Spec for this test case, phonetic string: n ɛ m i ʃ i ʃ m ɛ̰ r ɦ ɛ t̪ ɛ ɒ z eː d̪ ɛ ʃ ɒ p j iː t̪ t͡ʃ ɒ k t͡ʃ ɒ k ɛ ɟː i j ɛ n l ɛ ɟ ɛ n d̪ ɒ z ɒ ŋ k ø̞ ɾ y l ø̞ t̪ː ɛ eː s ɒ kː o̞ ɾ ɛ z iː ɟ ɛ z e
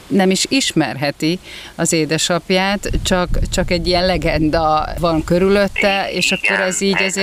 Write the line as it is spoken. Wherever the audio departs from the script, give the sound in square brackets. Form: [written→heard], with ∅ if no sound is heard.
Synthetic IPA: n ɛ m i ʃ i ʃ m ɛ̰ r ɦ ɛ t̪ [ɛ→i] ɒ z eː d̪ ɛ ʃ ɒ p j [iː→aː] t̪ t͡ʃ ɒ k t͡ʃ ɒ k ɛ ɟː i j ɛ n l ɛ [ɟ→ɡ] ɛ n d̪ ɒ [z→v] ɒ ŋ k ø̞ ɾ y l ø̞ t̪ː ɛ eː [s→ʃ] ɒ kː o̞ ɾ ɛ z iː ɟ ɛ z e